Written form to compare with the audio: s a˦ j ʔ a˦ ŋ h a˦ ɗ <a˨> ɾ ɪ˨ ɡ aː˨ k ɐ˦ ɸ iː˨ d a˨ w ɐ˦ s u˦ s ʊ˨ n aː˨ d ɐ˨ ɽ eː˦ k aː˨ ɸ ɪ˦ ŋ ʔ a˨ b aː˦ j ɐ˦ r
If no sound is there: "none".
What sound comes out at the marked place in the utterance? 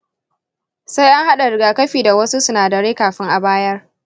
a˨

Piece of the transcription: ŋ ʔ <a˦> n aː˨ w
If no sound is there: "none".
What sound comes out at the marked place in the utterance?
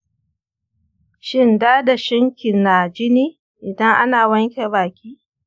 a˦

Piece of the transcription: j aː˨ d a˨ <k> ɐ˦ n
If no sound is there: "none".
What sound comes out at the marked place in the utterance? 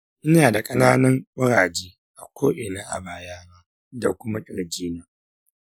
kʼ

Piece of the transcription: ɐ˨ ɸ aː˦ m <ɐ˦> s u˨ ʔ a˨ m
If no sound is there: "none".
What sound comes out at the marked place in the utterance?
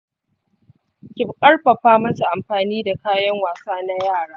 ɐ˦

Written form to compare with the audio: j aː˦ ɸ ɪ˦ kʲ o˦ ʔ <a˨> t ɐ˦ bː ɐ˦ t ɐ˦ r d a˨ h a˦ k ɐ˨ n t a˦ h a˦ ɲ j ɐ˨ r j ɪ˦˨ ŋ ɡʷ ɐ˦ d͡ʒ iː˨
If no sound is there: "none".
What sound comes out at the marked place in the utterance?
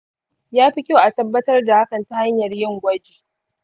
a˨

